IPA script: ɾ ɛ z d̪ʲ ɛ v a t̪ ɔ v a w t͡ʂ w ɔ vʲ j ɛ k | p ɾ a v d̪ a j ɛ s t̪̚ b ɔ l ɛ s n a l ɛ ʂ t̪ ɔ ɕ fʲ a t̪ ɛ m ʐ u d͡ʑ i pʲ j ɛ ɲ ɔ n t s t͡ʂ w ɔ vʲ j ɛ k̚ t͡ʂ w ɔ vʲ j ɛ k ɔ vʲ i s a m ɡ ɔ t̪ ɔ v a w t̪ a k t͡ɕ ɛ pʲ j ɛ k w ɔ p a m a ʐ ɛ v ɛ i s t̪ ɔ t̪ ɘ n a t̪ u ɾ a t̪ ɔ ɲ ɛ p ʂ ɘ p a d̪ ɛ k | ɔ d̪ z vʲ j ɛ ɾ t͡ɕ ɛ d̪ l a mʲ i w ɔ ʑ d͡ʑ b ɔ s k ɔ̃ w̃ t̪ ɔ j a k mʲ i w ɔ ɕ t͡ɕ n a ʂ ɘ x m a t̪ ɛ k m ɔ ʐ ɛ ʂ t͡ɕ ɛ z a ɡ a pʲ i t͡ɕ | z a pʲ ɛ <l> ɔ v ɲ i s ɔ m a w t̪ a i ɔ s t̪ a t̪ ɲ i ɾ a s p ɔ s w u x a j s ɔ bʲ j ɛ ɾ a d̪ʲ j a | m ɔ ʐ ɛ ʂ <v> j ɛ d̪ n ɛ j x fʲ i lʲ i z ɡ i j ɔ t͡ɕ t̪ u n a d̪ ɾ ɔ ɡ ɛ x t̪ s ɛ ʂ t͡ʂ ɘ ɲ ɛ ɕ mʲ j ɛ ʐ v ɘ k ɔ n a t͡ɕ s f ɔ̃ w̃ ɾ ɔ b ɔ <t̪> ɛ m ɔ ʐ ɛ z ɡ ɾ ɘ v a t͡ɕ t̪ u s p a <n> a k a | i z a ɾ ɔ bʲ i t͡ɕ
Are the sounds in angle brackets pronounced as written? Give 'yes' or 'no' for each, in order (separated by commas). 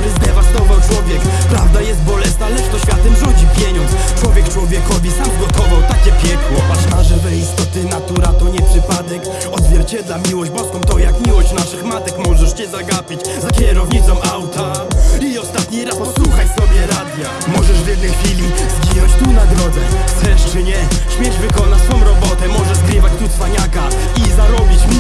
no, yes, yes, no